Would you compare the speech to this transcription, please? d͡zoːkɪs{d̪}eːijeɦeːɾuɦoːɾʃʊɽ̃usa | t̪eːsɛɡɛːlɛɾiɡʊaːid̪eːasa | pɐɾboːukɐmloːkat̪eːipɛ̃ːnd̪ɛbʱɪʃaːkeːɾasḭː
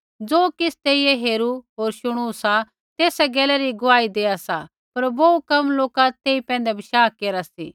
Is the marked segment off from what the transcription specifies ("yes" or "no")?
yes